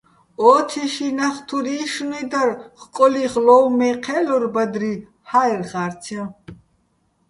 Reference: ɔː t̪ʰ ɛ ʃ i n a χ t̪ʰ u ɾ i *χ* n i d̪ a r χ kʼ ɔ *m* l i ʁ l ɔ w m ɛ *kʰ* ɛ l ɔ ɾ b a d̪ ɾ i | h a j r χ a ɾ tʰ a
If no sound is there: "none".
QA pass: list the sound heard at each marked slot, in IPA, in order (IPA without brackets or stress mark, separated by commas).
ʃ, none, qʰ